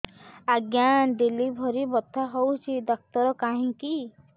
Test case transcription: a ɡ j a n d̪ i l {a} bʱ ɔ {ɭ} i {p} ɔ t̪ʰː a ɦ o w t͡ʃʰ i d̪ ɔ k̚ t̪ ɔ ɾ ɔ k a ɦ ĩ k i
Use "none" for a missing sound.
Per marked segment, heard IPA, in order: i, ɾ, b

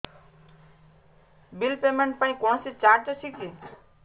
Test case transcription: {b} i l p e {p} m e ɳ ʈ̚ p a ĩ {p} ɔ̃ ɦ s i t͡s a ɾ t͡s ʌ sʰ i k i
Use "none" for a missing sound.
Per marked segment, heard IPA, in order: b, none, k

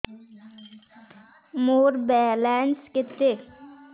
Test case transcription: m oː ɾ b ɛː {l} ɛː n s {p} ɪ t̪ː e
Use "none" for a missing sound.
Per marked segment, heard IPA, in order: l, k

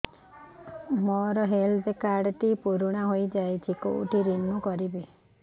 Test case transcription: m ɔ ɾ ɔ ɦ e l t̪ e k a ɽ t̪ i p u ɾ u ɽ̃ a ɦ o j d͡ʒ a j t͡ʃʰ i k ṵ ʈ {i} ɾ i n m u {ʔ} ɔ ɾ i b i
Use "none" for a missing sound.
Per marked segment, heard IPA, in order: i, k

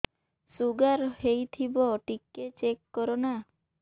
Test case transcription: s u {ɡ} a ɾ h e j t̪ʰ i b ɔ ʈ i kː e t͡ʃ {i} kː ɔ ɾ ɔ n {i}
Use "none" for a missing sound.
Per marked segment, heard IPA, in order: ɡ, e, a

